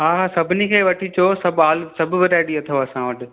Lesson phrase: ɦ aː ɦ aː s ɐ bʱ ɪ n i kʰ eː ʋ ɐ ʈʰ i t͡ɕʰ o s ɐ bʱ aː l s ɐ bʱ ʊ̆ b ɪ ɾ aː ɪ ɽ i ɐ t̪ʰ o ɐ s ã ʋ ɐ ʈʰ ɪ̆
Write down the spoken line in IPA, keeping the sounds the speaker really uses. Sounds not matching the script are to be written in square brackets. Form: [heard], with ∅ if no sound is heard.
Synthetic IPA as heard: ɦ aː ɦ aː s ɐ bʱ ɪ n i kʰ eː ʋ ɐ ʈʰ i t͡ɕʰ o s ɐ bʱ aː l s ɐ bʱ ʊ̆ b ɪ ɾ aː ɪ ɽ i ɐ t̪ʰ o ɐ s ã ʋ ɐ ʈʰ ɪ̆